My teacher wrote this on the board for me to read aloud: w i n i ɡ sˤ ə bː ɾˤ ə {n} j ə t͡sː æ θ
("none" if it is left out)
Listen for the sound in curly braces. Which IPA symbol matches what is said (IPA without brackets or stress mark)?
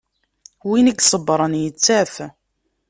n